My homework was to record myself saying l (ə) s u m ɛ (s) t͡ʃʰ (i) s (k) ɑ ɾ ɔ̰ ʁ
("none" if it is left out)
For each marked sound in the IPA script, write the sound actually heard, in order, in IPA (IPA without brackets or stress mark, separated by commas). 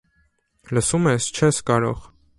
ə, s, ɛ, k